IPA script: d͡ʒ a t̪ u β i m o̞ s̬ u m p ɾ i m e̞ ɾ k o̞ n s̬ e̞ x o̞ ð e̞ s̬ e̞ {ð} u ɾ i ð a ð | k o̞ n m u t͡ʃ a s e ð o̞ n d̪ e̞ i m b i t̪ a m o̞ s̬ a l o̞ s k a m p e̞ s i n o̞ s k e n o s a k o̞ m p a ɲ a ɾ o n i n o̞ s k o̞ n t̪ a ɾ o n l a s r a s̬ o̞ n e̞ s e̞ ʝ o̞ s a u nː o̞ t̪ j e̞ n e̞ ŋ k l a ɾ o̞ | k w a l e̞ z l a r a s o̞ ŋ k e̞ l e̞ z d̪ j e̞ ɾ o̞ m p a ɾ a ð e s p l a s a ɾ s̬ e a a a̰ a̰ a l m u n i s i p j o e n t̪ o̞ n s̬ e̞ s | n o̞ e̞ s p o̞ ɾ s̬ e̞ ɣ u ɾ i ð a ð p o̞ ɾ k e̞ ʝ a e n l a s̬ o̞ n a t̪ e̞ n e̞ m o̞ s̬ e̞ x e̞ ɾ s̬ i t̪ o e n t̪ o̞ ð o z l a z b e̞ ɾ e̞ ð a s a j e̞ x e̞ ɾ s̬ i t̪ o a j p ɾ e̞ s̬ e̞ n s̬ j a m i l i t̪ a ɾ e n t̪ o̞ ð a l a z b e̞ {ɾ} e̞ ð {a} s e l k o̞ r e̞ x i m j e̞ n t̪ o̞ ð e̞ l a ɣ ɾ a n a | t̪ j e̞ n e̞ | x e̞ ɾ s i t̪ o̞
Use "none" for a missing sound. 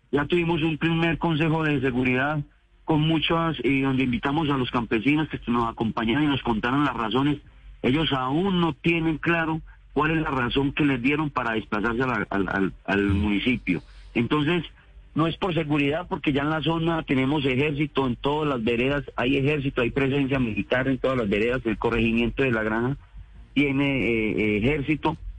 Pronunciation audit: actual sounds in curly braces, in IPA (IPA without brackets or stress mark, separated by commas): ɣ, ɾ, a